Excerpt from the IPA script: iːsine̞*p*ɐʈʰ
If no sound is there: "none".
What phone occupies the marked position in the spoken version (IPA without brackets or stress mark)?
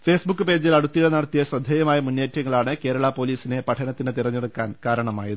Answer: p